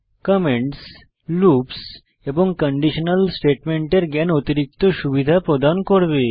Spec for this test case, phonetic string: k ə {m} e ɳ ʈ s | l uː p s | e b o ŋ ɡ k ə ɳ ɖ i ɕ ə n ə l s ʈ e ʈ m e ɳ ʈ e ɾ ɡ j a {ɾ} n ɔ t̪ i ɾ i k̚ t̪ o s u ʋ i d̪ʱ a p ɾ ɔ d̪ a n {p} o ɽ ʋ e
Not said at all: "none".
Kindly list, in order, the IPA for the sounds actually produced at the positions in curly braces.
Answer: m, none, k

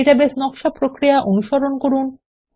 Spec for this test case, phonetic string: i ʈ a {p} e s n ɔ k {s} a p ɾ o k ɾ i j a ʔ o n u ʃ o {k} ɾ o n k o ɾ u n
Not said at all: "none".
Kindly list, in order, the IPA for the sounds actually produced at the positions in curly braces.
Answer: b, ʃ, none

